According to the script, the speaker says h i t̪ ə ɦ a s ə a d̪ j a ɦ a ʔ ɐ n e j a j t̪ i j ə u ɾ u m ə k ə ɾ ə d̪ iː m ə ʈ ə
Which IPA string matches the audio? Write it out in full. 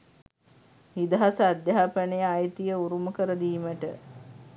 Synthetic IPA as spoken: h i d̪ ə ɦ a s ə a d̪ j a ɦ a p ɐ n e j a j t̪ i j ə u ɾ u m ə k ə ɾ ə d̪ iː m ə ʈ ə